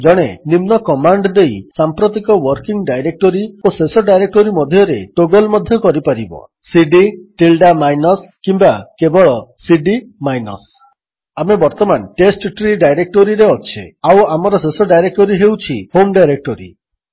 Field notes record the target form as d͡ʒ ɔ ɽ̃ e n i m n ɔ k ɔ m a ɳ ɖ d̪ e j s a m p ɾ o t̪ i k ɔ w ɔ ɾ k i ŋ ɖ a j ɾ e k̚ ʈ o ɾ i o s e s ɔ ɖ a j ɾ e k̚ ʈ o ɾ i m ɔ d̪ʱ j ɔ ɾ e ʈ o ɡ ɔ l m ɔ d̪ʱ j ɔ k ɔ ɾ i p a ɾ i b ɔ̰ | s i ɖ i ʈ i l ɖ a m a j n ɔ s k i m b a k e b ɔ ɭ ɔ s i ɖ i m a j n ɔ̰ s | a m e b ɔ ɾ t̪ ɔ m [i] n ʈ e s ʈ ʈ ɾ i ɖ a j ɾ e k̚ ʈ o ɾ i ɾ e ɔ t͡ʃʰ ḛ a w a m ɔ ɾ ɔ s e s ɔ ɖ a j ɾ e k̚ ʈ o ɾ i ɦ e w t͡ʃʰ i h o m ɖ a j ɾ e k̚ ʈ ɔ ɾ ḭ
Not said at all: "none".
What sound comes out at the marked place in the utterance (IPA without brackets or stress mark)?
a